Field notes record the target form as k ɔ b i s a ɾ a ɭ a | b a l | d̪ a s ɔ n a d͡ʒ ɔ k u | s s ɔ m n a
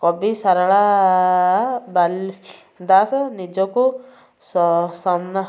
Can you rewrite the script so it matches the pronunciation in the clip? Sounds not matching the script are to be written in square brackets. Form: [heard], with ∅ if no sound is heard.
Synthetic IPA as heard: k ɔ b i s a ɾ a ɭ a | b a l | d̪ a s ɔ n [i] d͡ʒ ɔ k u | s s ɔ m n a